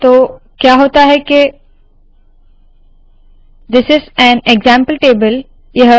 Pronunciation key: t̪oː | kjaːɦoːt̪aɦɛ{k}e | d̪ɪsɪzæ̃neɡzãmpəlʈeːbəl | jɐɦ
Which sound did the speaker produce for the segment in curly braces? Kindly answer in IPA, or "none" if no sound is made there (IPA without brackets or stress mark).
k